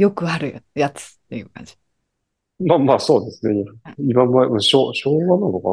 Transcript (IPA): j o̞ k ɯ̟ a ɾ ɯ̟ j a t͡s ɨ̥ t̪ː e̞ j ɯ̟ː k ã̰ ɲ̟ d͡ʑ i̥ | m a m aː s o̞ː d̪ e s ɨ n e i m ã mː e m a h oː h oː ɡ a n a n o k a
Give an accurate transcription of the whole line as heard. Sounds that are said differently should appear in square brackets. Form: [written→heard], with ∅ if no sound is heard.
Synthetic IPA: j o̞ k ɯ̟ a ɾ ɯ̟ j a t͡s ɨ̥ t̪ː e̞ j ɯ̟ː k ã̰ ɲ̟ d͡ʑ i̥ | m a m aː s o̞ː d̪ e s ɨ n e i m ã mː [e→a] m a [h→ɕ] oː [h→ɕ] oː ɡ a n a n o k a